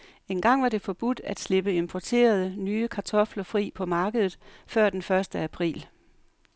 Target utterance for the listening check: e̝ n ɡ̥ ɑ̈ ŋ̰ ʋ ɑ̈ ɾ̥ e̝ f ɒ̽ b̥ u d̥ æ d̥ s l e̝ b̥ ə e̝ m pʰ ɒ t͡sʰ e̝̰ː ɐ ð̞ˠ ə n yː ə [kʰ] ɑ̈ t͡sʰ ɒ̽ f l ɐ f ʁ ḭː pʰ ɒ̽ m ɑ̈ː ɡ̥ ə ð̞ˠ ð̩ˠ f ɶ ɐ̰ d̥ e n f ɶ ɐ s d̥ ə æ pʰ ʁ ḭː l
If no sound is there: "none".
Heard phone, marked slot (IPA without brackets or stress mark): kʰ